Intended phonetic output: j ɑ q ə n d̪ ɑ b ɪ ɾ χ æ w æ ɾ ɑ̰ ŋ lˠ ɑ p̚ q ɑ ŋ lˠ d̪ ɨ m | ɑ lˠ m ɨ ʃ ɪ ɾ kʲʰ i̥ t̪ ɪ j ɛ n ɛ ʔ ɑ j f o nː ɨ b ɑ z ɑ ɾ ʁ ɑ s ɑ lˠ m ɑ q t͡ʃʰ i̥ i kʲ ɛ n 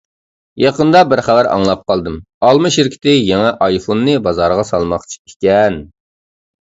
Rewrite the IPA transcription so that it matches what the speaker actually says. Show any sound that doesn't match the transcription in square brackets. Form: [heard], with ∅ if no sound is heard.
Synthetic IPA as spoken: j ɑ q ə n d̪ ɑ b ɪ ɾ χ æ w æ ɾ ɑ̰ ŋ lˠ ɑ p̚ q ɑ [∅] lˠ d̪ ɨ m | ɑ lˠ m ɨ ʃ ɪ ɾ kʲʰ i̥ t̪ ɪ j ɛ [ŋ] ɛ ʔ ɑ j f o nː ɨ b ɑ z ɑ ɾ ʁ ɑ s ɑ lˠ m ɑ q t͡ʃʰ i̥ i kʲ ɛ n